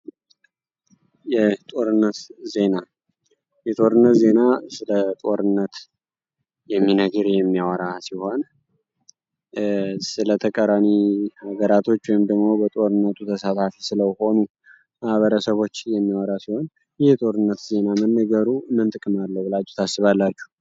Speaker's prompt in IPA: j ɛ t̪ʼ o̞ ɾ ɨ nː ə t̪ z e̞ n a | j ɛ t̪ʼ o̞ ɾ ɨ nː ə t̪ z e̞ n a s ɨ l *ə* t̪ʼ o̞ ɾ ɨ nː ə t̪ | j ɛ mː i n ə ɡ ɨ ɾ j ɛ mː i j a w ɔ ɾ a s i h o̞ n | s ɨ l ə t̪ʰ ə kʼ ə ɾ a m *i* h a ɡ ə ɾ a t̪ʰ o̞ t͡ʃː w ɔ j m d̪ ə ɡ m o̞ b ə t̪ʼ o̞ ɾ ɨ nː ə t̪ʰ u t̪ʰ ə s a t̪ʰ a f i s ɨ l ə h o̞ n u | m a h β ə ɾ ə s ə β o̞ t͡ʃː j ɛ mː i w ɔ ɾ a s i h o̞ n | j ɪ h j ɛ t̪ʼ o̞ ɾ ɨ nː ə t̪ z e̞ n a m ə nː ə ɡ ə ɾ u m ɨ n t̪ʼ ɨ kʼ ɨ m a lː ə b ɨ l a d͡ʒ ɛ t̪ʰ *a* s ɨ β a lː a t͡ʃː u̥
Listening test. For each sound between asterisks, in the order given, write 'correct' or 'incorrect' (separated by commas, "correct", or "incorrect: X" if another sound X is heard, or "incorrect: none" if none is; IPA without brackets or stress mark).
correct, correct, correct